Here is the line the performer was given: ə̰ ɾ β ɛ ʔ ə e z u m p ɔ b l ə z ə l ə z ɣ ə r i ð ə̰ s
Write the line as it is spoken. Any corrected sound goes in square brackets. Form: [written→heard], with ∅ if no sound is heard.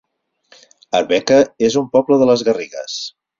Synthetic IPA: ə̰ ɾ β ɛ [ʔ→k] ə e z u m p ɔ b l ə [z→ð] ə l ə z ɣ ə r i [ð→ɣ] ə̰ s